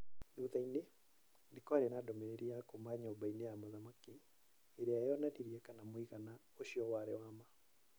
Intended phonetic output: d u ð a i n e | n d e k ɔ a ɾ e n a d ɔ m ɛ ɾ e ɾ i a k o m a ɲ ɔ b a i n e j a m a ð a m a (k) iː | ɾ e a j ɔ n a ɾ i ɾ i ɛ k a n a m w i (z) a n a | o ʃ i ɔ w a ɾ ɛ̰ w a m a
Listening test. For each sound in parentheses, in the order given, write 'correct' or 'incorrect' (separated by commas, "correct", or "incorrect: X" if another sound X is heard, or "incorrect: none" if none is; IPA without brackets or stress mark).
correct, incorrect: ɣ